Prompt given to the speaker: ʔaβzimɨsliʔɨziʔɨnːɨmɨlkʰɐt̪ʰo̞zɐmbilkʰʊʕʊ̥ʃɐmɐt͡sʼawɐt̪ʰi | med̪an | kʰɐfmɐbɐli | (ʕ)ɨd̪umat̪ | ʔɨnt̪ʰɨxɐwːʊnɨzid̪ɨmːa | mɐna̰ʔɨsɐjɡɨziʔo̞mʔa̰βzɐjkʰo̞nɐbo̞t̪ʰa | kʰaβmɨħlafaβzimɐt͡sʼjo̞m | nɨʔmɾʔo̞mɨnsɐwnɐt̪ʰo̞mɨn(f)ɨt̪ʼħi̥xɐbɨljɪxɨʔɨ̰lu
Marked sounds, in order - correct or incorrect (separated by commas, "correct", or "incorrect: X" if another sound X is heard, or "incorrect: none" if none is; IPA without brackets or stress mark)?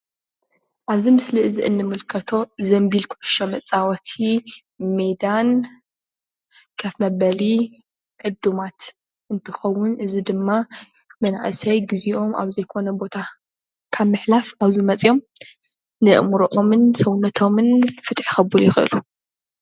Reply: correct, correct